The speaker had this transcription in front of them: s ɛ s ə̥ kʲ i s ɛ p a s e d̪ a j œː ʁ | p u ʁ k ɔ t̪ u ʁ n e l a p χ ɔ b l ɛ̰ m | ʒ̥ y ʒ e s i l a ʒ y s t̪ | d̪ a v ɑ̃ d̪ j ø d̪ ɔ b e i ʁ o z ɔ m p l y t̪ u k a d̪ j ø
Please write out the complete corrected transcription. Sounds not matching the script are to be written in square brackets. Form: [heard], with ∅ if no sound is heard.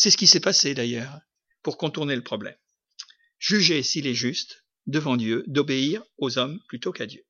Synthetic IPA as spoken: s ɛ s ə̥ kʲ i s ɛ p a s e d̪ a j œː ʁ | p u ʁ k [ɔ̃] t̪ u ʁ n e l [ə] p χ ɔ b l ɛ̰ m | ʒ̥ y ʒ e s i l [ɛ] ʒ y s t̪ | d̪ [ə] v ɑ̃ d̪ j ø d̪ ɔ b e i ʁ o z ɔ m p l y t̪ [o] k a d̪ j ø